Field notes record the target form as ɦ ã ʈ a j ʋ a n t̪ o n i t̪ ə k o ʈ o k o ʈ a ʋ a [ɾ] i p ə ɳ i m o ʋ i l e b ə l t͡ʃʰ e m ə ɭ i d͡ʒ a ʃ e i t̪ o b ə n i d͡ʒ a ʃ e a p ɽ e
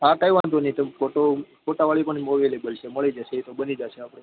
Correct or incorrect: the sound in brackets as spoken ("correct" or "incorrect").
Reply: incorrect